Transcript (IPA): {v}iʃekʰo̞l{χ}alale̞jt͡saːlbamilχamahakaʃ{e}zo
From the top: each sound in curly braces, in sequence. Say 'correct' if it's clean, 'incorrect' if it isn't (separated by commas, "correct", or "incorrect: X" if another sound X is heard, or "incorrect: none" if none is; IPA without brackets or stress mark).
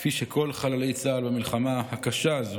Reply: incorrect: f, correct, incorrect: a